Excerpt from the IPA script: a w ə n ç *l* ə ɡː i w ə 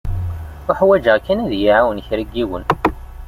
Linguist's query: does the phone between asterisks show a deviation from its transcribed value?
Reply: yes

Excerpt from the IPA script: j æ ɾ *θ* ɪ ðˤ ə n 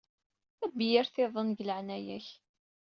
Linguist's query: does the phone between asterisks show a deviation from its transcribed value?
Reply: no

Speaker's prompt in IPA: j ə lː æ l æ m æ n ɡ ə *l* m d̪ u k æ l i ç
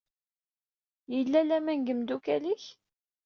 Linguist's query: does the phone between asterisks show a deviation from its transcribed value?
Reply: yes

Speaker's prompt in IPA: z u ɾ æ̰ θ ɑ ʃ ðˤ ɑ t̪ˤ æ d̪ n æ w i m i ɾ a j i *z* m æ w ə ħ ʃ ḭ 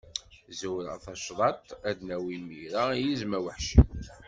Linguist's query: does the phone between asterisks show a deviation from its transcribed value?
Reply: no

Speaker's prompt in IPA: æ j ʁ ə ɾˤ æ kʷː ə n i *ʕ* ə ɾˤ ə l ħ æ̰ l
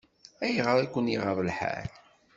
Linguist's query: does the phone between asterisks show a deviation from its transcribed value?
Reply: yes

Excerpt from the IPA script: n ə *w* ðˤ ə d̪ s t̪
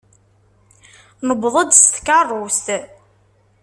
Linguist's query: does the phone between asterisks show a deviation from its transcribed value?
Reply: yes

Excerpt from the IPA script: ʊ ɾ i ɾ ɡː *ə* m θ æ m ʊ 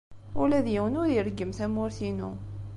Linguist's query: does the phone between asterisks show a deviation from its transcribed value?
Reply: no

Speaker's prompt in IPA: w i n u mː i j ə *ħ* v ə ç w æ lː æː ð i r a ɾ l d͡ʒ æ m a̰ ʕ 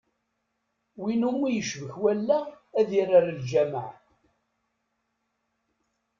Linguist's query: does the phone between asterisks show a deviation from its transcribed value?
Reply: yes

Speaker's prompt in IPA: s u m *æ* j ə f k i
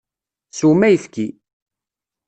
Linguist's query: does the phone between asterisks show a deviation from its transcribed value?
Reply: no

